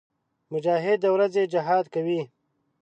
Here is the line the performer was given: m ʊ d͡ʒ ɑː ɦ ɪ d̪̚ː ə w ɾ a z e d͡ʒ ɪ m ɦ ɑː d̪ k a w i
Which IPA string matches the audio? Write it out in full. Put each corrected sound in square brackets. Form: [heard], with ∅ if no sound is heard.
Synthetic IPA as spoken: m ʊ d͡ʒ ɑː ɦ ɪ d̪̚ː ə w ɾ a z e d͡ʒ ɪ [∅] ɦ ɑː d̪ k a w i